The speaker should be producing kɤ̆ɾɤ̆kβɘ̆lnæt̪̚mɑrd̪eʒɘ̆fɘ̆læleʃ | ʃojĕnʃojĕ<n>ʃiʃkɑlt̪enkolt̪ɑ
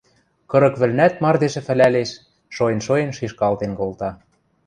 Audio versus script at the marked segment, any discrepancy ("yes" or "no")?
no